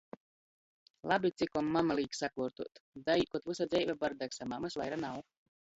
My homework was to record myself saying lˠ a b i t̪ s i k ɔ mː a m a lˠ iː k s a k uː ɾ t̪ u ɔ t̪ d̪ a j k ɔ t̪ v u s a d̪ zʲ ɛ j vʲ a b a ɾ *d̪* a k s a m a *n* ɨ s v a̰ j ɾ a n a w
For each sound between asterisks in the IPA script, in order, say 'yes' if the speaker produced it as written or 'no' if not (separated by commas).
yes, no